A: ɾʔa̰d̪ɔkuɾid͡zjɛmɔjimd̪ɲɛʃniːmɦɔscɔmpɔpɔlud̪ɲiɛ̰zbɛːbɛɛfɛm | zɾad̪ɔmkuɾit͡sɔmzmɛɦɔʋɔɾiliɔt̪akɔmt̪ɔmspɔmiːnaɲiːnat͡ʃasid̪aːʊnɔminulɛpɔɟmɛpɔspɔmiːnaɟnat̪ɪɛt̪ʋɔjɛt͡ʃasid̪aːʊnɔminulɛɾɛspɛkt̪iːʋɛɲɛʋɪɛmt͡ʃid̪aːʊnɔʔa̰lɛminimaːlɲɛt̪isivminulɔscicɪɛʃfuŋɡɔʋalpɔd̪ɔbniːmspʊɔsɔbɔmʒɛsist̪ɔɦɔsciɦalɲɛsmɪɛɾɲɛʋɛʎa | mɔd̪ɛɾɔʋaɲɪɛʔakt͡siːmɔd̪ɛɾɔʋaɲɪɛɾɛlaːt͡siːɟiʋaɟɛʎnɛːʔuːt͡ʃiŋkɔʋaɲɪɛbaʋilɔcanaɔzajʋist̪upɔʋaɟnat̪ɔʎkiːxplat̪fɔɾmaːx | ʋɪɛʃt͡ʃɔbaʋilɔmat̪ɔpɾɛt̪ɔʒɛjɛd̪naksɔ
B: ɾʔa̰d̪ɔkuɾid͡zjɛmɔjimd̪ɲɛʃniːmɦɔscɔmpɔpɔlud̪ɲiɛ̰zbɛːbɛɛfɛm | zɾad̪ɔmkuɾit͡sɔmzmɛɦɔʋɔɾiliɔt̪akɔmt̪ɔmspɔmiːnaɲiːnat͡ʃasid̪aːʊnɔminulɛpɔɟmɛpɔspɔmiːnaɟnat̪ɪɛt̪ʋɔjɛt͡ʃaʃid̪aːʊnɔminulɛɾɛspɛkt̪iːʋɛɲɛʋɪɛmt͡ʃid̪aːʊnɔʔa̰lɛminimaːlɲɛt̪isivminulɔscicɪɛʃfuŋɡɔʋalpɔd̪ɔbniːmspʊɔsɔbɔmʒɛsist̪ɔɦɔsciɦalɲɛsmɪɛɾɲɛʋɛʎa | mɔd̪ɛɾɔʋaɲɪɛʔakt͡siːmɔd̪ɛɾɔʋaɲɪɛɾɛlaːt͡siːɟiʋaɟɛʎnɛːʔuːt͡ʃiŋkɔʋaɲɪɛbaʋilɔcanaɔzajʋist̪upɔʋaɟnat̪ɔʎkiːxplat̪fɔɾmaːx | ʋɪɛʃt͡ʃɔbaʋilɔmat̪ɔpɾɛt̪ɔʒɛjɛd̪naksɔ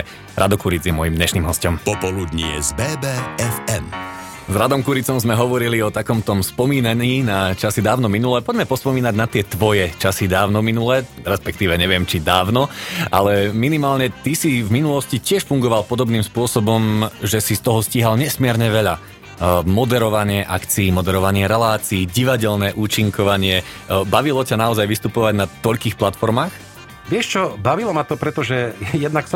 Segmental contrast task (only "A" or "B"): A